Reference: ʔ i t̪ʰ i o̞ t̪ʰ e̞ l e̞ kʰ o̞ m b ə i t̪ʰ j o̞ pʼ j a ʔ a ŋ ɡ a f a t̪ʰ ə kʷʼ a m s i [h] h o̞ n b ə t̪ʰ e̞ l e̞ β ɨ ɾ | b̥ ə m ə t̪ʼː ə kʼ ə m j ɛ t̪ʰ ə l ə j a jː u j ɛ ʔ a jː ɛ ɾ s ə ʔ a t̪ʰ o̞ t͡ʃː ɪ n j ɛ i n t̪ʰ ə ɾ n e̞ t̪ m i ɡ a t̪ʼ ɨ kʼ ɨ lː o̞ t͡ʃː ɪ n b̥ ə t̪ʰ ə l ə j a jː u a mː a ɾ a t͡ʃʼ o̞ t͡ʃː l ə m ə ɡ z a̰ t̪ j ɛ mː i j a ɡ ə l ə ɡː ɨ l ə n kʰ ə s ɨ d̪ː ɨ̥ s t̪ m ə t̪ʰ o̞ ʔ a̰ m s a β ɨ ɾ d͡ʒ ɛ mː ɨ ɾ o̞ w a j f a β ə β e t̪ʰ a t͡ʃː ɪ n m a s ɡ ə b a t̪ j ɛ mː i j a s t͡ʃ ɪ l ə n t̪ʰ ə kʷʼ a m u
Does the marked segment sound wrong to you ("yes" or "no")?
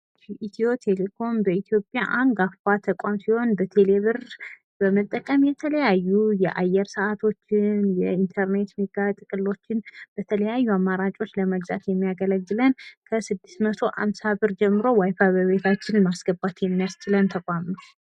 no